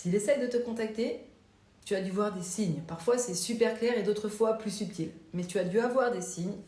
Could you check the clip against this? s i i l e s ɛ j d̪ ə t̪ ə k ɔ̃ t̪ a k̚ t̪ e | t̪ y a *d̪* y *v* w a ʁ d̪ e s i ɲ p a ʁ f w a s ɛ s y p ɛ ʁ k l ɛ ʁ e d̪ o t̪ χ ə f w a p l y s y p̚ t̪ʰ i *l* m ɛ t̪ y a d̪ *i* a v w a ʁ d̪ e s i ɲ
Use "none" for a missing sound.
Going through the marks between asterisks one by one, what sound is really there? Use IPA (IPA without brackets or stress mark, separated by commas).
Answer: d̪, v, l, y